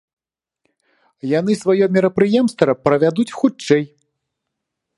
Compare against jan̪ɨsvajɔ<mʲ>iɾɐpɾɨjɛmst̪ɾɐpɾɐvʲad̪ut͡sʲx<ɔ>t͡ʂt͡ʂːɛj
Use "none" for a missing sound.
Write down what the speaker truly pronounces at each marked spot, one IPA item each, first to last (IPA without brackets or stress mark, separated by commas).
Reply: mʲ, u